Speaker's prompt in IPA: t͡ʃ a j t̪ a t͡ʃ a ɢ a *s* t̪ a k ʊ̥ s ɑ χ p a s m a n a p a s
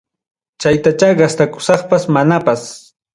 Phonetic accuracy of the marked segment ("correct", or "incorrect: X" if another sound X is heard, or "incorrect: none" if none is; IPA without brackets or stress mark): correct